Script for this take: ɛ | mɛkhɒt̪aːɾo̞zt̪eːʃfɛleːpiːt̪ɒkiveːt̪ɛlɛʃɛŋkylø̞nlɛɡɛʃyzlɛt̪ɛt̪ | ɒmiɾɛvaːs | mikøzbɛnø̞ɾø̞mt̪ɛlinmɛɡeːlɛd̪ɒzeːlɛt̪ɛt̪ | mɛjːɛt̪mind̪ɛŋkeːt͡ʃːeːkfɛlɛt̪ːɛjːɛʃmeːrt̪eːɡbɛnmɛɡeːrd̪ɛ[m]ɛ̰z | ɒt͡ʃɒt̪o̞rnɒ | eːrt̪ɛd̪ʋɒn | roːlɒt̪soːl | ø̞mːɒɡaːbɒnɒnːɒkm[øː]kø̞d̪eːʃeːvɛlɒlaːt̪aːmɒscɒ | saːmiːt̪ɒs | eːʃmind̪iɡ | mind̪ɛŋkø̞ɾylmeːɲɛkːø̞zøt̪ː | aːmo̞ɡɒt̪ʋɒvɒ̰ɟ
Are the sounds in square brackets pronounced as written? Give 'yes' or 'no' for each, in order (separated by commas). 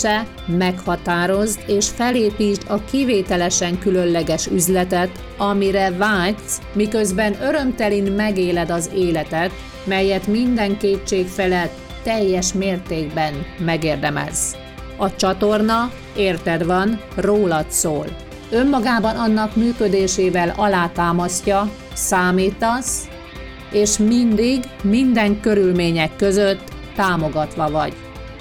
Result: yes, no